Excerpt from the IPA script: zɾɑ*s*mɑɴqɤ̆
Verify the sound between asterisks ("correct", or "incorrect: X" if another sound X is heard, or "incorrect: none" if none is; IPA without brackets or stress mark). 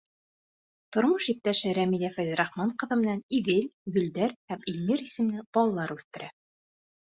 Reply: incorrect: χ